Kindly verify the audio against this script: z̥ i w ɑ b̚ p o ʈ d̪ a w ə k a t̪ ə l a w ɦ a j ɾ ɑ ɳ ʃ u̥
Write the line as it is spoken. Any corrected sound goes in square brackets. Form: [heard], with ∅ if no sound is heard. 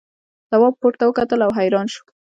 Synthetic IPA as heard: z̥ [a] w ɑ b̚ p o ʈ [t̪] a w ə k a t̪ ə l a w ɦ a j ɾ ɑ [n] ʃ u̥